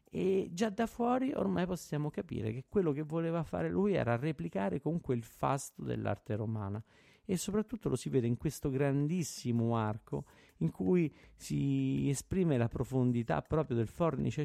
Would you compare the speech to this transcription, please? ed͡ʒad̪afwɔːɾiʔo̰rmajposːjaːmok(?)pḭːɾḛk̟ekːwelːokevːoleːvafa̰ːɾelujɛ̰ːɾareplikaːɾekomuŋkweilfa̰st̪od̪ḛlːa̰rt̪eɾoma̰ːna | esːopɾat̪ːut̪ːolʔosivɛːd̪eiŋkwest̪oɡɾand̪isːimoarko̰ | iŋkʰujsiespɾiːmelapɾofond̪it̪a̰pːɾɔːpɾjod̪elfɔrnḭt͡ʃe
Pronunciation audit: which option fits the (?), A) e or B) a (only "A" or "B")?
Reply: B